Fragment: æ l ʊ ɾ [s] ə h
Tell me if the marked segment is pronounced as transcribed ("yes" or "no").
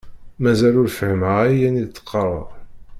no